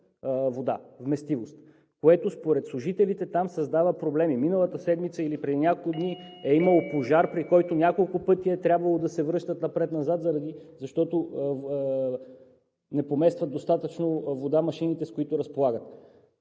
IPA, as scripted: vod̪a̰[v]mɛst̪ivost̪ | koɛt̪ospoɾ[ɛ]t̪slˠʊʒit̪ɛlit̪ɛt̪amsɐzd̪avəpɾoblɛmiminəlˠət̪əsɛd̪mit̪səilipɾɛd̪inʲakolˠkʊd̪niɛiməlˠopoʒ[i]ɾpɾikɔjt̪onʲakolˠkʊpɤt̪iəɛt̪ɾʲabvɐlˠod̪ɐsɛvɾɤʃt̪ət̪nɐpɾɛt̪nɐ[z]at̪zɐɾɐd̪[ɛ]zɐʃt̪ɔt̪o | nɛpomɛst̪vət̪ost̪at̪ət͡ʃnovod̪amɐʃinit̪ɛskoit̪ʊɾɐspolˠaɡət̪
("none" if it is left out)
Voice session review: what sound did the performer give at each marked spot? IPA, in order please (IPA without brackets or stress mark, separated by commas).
v, ɛ, a, z, i